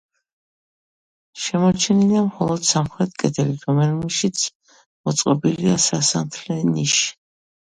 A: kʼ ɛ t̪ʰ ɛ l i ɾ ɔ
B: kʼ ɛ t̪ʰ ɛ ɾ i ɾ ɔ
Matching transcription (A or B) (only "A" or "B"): A